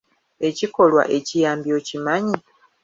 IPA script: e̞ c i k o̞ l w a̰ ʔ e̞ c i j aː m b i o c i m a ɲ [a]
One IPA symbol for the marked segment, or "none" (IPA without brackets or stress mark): i